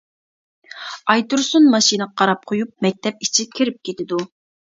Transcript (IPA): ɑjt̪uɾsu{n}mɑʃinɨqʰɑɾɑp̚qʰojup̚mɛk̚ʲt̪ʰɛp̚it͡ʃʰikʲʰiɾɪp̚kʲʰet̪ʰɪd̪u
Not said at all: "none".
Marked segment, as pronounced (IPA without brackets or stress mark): n